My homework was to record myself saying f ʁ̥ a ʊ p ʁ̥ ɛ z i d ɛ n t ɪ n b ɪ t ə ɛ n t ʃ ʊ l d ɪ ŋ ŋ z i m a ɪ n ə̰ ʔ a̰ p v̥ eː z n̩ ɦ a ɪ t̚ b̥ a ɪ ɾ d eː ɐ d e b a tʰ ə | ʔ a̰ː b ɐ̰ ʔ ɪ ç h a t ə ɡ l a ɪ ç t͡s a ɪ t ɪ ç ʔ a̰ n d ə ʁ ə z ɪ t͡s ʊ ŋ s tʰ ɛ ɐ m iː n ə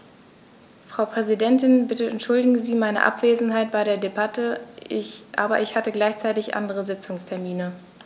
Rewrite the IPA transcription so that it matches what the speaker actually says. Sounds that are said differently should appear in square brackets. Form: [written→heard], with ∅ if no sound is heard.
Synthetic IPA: f ʁ̥ a ʊ p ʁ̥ ɛ z i d ɛ n t ɪ n b ɪ t ə ɛ n t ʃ ʊ l d ɪ [ŋ→ɡ] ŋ z [i→iː] m a ɪ n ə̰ ʔ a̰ p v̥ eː z n̩ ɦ a ɪ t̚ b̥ a ɪ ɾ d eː ɐ d e b a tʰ ə | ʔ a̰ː b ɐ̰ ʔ ɪ ç h a t ə ɡ l a ɪ ç t͡s a ɪ t ɪ ç ʔ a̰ n d ə ʁ ə z ɪ t͡s ʊ ŋ s tʰ ɛ ɐ m iː n ə

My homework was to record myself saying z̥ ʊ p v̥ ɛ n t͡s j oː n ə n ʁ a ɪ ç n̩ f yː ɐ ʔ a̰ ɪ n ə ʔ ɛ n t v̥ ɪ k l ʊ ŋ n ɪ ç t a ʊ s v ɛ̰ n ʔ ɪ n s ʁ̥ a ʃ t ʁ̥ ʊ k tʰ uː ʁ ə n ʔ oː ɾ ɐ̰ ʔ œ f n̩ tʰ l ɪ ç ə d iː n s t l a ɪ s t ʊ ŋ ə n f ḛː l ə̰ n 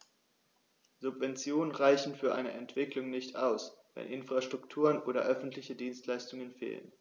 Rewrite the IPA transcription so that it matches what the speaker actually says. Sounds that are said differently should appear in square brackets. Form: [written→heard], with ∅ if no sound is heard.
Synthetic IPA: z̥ ʊ p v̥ ɛ n t͡s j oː n ə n ʁ a ɪ ç n̩ f yː ɐ ʔ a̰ ɪ n ə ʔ ɛ n t v̥ ɪ k l ʊ ŋ n ɪ ç t a ʊ s v ɛ̰ n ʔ ɪ n [s→f] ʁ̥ a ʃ t ʁ̥ ʊ k tʰ uː ʁ ə n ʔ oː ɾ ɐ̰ ʔ œ f n̩ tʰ l ɪ ç ə d iː n s t l a ɪ s t ʊ ŋ ə n f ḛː l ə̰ n

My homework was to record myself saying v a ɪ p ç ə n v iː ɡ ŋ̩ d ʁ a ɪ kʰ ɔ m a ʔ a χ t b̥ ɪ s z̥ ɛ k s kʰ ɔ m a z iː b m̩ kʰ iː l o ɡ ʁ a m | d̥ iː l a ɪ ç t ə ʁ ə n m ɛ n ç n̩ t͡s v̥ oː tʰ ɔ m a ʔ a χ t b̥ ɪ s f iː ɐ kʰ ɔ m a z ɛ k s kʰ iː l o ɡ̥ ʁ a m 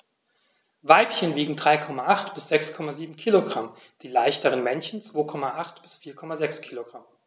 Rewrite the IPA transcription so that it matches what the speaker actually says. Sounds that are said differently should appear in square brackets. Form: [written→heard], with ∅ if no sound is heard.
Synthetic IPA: v a ɪ p ç ə n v iː ɡ ŋ̩ d ʁ a ɪ kʰ ɔ m a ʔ a χ t b̥ ɪ s z̥ ɛ k s kʰ ɔ m a z iː b m̩ kʰ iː l o ɡ ʁ a m | d̥ iː l a ɪ ç t ə ʁ ə n m ɛ n ç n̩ t͡s v̥ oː [tʰ→kʰ] ɔ m a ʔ a χ t b̥ ɪ s f iː ɐ kʰ ɔ m a z ɛ k s kʰ iː l o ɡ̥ ʁ a m

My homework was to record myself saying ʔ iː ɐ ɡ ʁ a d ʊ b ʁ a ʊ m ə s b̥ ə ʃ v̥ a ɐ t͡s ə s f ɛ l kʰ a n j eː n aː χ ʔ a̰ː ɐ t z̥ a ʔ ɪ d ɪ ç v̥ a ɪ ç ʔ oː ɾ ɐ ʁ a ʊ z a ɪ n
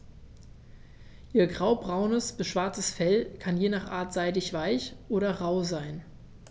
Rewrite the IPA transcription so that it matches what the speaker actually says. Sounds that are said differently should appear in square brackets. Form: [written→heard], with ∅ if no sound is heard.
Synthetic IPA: ʔ iː ɐ ɡ ʁ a [d→∅] ʊ b ʁ a ʊ [m→n] ə s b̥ ə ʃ v̥ a ɐ t͡s ə s f ɛ l kʰ a n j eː n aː χ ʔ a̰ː ɐ t z̥ a [ʔ→∅] ɪ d ɪ ç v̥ a ɪ ç ʔ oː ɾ ɐ ʁ a ʊ z a ɪ n

